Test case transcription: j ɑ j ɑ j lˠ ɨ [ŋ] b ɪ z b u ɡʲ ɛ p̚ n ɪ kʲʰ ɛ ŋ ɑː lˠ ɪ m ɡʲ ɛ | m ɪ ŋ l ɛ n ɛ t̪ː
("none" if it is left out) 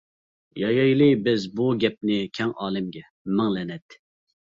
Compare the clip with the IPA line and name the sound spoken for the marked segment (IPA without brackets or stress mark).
none